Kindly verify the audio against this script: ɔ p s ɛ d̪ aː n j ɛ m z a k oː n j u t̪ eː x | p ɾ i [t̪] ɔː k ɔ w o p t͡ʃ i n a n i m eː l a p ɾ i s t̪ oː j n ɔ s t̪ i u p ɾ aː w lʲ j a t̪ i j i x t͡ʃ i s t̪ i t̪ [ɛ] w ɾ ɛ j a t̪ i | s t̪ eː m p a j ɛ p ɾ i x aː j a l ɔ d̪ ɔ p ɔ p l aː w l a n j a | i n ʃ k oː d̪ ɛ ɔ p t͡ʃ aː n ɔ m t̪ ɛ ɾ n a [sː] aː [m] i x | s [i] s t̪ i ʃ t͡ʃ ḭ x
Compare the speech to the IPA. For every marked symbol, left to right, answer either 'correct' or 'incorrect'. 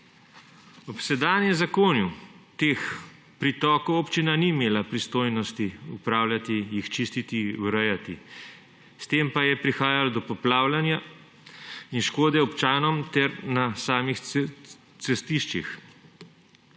correct, incorrect, incorrect, correct, incorrect

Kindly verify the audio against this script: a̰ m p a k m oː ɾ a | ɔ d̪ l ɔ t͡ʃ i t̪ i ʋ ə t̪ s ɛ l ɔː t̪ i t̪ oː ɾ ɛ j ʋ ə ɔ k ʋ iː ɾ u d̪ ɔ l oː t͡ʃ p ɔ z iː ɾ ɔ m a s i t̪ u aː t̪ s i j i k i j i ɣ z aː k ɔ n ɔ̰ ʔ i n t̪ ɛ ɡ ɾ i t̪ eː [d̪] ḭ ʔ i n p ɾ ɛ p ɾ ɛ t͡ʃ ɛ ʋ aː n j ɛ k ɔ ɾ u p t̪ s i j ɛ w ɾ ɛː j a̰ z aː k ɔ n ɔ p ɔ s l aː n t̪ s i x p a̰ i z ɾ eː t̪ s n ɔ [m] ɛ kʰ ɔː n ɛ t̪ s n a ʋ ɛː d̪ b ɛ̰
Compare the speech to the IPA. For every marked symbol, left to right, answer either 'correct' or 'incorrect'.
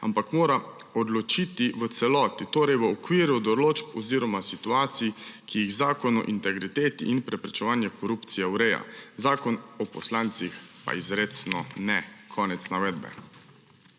incorrect, incorrect

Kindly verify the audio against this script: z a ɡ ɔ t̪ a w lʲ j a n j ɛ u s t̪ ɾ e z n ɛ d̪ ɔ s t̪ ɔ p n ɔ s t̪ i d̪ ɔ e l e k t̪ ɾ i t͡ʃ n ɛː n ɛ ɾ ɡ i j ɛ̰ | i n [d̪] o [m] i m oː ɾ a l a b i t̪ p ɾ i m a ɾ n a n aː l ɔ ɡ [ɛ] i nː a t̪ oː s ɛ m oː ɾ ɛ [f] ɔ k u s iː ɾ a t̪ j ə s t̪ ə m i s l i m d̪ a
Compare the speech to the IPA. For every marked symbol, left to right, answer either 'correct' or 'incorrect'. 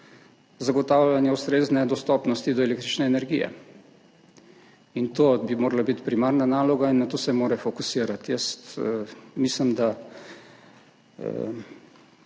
incorrect, incorrect, incorrect, correct

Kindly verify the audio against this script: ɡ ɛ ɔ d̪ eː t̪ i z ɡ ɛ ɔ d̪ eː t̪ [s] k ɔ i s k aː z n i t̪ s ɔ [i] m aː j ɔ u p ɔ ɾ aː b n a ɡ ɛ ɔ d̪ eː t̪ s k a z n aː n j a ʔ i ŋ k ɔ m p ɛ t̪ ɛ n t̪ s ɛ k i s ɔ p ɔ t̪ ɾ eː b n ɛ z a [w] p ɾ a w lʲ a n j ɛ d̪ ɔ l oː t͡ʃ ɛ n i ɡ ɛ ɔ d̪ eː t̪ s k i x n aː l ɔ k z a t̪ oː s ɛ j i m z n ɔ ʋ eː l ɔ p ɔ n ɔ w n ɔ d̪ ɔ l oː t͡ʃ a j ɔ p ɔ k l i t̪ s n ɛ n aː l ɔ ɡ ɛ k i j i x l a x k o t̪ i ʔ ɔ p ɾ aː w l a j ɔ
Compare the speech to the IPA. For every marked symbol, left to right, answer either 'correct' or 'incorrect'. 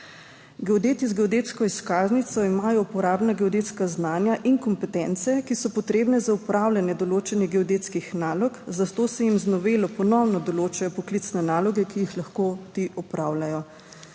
correct, correct, incorrect

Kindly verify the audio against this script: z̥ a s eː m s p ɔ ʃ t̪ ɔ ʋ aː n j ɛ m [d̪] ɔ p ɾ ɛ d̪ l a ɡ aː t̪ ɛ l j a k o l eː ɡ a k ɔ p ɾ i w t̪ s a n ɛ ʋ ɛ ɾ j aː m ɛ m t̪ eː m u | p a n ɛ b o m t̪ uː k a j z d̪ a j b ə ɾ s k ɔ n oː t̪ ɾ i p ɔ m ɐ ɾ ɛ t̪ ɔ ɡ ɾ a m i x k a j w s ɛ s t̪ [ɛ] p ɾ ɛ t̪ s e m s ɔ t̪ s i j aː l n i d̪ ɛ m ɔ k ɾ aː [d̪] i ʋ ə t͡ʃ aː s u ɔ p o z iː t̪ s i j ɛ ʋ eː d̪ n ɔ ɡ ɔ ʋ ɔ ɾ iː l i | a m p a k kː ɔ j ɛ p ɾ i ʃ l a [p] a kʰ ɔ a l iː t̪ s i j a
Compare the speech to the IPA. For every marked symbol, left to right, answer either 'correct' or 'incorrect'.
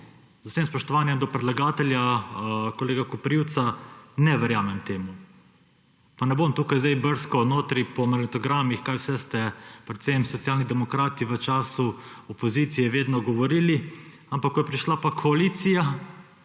correct, correct, incorrect, correct

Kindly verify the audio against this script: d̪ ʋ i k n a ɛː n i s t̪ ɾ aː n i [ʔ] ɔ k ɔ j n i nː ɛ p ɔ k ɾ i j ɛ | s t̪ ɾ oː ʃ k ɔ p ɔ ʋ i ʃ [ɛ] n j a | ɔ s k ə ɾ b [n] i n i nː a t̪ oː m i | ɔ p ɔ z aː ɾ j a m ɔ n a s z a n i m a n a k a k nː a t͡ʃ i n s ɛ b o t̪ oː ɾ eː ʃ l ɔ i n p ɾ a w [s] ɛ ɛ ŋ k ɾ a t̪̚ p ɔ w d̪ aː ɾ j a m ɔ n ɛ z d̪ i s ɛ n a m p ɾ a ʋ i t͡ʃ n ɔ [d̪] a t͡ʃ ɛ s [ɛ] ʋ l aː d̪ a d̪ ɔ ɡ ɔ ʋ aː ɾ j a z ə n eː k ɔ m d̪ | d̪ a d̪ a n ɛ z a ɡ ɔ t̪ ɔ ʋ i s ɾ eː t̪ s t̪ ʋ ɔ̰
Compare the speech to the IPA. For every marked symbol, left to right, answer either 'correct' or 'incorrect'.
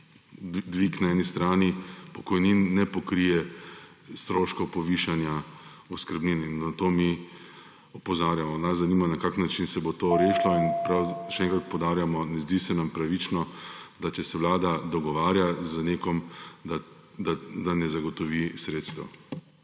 incorrect, incorrect, correct, incorrect, correct, correct

